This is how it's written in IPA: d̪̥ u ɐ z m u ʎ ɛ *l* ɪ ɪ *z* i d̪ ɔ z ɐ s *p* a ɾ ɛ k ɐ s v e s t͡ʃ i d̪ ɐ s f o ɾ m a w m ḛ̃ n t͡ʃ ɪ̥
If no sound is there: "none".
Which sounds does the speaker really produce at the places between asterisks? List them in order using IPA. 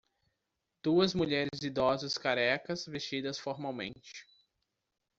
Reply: ɾ, z, k

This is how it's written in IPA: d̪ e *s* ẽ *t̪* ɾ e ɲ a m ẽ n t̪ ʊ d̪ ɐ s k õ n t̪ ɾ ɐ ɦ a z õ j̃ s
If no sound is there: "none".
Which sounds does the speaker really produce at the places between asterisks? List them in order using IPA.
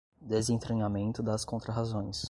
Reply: z, t̪

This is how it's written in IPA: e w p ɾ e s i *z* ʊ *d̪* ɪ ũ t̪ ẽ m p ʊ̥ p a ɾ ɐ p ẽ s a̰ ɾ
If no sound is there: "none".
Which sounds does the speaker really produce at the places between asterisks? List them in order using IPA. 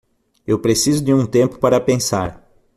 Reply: z, d̪

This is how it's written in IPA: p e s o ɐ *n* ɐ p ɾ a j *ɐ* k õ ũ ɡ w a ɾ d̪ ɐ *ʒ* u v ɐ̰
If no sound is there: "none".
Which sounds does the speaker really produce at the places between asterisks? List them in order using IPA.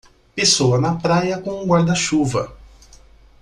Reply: n, ɐ, ʃ

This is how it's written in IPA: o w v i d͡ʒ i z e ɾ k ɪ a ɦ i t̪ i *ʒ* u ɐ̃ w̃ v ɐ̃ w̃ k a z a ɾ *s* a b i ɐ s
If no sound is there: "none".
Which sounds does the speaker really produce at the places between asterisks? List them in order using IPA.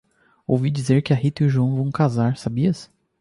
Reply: ʒ, s

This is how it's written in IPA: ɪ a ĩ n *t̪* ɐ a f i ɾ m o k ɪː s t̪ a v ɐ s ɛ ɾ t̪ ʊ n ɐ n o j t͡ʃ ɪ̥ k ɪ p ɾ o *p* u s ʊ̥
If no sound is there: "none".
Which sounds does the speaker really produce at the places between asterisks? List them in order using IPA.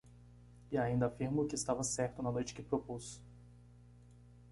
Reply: d̪, p

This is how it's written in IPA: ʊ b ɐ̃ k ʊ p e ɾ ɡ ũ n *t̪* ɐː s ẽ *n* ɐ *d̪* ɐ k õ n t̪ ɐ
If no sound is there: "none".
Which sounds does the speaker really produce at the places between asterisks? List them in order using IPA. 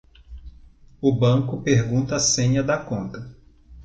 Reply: t̪, ɲ, d̪

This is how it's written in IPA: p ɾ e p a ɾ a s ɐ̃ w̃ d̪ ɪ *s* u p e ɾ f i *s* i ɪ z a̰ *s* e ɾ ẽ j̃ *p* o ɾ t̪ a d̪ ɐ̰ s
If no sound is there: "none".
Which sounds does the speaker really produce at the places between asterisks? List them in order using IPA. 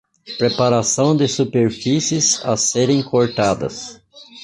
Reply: s, s, s, k

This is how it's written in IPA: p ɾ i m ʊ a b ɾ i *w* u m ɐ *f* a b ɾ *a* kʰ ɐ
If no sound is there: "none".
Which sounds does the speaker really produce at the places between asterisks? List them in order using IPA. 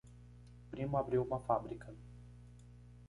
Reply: w, f, i

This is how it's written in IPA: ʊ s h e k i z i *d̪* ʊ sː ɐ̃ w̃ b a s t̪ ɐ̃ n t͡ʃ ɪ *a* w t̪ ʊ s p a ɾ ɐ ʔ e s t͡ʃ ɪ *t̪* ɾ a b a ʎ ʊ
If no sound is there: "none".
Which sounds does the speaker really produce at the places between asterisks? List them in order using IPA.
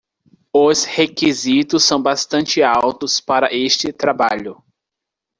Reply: t̪, a, t̪

